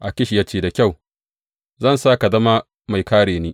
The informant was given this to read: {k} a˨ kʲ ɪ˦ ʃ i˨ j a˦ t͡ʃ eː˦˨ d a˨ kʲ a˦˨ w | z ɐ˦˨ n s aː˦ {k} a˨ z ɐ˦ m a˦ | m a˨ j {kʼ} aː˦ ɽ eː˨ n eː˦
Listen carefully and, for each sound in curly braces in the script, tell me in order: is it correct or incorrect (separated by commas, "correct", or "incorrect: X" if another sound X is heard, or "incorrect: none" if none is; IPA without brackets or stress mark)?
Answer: incorrect: ʔ, correct, incorrect: k